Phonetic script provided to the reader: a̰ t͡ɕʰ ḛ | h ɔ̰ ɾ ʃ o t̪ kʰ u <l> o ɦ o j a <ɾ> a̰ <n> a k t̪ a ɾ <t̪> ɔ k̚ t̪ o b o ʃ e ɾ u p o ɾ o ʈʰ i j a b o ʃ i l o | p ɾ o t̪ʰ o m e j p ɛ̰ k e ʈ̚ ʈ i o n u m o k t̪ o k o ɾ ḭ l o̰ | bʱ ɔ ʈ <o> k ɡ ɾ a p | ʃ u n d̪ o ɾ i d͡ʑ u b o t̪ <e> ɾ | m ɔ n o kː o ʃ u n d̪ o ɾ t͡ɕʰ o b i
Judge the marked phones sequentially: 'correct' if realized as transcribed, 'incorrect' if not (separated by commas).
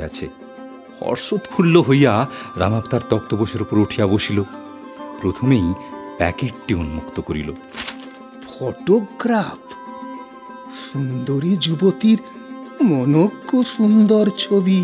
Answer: incorrect, correct, incorrect, correct, correct, incorrect